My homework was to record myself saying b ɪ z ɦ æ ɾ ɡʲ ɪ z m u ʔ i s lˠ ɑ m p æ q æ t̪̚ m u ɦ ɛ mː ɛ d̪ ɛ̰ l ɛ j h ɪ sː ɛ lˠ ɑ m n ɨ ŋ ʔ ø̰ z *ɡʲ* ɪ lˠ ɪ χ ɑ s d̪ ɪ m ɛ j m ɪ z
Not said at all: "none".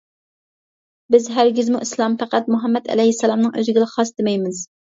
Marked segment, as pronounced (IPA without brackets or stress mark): ɡʲ